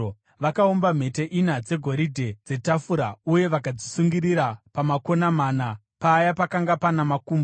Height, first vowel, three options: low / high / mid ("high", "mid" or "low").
low